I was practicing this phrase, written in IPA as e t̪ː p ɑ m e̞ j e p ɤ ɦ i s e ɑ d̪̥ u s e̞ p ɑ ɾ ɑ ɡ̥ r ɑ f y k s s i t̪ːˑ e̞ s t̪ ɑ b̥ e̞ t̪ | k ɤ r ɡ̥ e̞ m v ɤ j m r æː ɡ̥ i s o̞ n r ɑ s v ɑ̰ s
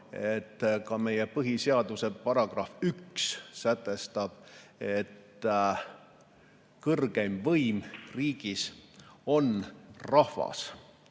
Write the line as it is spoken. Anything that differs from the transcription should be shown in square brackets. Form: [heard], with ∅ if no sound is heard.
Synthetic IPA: e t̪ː [k] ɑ m e̞ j e p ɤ ɦ i s e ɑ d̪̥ u s e̞ p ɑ ɾ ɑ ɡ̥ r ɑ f y k s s [æ] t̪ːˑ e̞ s t̪ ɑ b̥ e̞ t̪ | k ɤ r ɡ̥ e̞ m v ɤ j m r [iː] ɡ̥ i s o̞ n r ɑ [h] v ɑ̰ s